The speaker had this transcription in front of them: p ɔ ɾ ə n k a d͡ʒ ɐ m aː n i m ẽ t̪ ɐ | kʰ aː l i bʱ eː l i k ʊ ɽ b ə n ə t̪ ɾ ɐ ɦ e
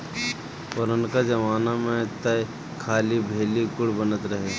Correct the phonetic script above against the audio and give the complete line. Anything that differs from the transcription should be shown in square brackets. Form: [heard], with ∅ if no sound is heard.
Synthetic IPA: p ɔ ɾ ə n k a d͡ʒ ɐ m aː n [a] m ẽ t̪ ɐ | kʰ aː l i bʱ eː l i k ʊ ɽ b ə n ə t̪ ɾ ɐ ɦ e